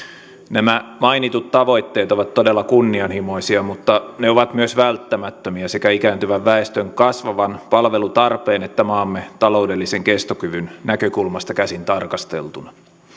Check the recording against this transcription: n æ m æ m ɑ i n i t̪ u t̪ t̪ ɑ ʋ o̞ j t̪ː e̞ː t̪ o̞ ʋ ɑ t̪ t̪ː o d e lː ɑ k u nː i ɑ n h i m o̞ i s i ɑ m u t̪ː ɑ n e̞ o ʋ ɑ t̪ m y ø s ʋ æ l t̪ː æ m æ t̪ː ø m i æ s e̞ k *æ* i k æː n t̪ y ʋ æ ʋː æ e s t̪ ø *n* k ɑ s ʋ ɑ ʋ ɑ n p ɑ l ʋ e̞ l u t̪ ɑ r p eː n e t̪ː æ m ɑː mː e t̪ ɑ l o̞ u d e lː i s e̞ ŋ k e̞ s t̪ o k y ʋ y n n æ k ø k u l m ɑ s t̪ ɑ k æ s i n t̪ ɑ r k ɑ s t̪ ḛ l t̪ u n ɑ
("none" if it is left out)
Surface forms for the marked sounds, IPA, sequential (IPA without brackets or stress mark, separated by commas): æ, ŋ